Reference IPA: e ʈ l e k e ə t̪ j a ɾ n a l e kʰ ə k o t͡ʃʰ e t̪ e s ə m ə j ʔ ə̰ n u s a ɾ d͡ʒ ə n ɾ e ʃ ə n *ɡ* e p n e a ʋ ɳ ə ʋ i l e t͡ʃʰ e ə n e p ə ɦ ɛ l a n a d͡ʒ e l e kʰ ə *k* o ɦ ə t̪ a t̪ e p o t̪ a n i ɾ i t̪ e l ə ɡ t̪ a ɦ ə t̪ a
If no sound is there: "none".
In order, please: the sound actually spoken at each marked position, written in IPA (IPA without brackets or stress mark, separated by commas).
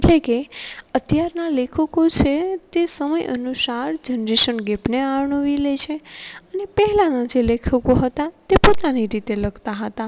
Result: ɡ, k